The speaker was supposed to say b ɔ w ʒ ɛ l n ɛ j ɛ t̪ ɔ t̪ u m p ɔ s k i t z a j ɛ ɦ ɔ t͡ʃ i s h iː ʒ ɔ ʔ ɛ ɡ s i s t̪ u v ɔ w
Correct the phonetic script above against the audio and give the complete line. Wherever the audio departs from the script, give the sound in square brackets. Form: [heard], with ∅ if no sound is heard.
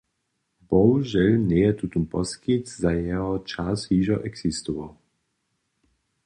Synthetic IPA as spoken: b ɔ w ʒ ɛ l n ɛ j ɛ t̪ [u] t̪ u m p ɔ s k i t z a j ɛ ɦ ɔ t͡ʃ [a] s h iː ʒ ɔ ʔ ɛ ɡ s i s t̪ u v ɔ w

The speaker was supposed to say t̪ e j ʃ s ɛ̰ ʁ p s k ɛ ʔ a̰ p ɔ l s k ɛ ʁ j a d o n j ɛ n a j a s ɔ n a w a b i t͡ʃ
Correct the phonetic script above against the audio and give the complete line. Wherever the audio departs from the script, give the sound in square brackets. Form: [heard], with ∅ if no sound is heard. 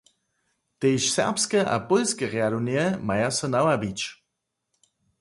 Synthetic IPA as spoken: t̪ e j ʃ s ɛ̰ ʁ p s k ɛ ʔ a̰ p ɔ l s k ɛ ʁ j a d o n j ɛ [m] a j a s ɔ n a w a b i t͡ʃ

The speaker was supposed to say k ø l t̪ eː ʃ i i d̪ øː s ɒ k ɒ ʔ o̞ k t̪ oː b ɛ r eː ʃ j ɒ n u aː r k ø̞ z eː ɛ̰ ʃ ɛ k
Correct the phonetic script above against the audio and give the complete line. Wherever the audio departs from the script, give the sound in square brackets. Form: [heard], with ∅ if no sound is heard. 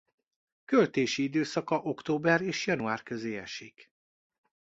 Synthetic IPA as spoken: k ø l t̪ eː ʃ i i d̪ øː s ɒ k ɒ ʔ o̞ k t̪ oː b ɛ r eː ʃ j ɒ n u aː r k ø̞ z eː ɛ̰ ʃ [i] k

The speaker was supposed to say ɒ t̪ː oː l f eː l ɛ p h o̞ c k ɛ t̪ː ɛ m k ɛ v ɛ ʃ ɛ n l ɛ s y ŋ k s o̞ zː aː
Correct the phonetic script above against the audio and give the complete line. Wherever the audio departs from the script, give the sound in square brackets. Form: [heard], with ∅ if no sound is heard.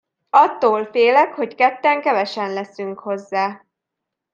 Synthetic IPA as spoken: ɒ t̪ː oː l f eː l ɛ [k] h o̞ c k ɛ t̪ː ɛ [ŋ] k ɛ v ɛ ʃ ɛ n l ɛ s y ŋ k [h] o̞ zː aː

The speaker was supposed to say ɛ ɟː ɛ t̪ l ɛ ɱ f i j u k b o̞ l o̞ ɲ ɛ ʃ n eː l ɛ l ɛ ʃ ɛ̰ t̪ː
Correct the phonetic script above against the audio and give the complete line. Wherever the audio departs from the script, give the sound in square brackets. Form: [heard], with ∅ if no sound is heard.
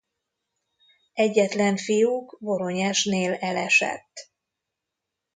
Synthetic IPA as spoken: ɛ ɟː ɛ t̪ l ɛ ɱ f i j u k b o̞ [ɾ] o̞ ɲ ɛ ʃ n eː l ɛ l ɛ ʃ ɛ̰ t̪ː

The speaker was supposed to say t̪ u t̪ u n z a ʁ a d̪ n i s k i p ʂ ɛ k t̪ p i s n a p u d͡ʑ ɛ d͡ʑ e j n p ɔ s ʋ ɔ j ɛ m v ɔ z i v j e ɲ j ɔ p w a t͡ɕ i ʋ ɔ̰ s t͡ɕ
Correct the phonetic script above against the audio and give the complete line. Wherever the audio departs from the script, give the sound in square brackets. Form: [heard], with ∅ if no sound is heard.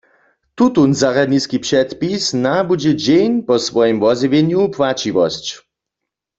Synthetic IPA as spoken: t̪ u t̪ u n z a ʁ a d̪ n i s k i p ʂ ɛ [∅] t̪ p i s n a [b] u d͡ʑ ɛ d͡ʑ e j n p ɔ s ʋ ɔ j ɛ m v ɔ z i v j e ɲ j [u] p w a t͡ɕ i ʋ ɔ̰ s t͡ɕ

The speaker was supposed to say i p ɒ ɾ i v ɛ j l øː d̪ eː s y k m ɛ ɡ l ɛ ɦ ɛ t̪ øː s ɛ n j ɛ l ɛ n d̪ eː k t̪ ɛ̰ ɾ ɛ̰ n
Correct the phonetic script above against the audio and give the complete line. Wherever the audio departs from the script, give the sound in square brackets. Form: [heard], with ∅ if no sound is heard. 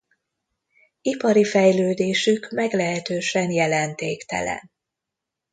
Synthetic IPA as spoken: i p ɒ ɾ i [f] ɛ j l øː d̪ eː [ʃ] y k m ɛ ɡ l ɛ ɦ ɛ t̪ øː [ʃ] ɛ n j ɛ l ɛ n [t̪] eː k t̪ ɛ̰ [l] ɛ̰ n

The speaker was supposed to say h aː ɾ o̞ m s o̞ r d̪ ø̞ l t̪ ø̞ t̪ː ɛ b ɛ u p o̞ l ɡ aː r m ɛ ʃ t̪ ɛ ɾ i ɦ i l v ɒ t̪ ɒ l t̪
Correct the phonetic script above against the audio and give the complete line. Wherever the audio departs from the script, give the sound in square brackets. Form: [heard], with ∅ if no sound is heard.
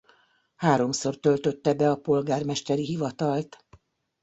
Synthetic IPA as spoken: h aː ɾ o̞ m s o̞ r [t̪] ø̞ l t̪ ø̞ t̪ː ɛ b ɛ [ɒ] p o̞ l ɡ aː r m ɛ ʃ t̪ ɛ ɾ i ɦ i [∅] v ɒ t̪ ɒ l t̪

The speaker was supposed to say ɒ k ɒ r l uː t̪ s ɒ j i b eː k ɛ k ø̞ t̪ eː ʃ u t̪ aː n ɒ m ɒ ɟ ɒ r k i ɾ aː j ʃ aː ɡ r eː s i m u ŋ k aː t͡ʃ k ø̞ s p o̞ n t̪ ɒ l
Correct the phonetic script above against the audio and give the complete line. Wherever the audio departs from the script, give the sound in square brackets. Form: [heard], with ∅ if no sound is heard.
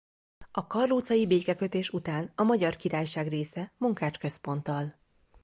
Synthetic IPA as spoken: ɒ k ɒ r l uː t̪ s ɒ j i b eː k ɛ k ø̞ t̪ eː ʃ u t̪ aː n ɒ m ɒ ɟ ɒ r k i ɾ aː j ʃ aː ɡ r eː s [ɛ] m u ŋ k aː t͡ʃ k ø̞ s p o̞ n t̪ ɒ l

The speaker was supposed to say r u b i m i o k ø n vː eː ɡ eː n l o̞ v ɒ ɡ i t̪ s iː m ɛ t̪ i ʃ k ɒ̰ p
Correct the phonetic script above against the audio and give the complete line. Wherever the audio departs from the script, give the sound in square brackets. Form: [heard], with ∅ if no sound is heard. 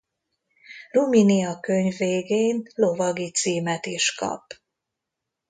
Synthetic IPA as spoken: r u [m] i [n] i [ɒ] k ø [ɲ] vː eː ɡ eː n l o̞ v ɒ ɡ i t̪ s iː m ɛ t̪ i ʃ k ɒ̰ p

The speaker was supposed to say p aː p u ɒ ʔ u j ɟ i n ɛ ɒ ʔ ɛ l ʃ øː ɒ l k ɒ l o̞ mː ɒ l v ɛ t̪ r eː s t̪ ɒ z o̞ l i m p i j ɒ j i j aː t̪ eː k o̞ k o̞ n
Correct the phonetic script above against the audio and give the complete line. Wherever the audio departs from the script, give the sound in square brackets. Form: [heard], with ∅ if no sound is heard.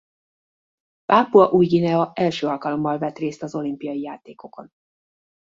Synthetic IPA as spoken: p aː p u ɒ ʔ u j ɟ i n ɛ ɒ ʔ ɛ l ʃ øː ɒ l k ɒ l o̞ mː ɒ l v ɛ t̪ r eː s t̪ ɒ z o̞ l i m p i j ɒ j i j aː t̪ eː k o̞ k o̞ n

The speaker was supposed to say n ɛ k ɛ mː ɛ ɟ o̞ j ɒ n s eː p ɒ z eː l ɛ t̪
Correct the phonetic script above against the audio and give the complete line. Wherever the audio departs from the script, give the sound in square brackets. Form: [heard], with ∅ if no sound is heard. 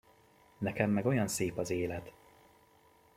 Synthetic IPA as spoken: n ɛ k ɛ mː ɛ [ɡ] o̞ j ɒ n s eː p ɒ z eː l ɛ t̪

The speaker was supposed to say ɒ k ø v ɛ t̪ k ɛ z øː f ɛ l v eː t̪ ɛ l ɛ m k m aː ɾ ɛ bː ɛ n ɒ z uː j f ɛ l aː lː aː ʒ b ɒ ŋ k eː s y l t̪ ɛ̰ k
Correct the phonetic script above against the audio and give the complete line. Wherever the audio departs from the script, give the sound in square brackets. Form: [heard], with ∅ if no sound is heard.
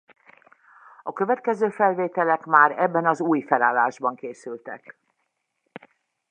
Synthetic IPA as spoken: ɒ k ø v ɛ t̪ k ɛ z øː f ɛ l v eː t̪ ɛ l ɛ [∅] k m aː ɾ ɛ bː ɛ n ɒ z uː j f ɛ l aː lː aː ʒ b ɒ ŋ k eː s y l t̪ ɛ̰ k

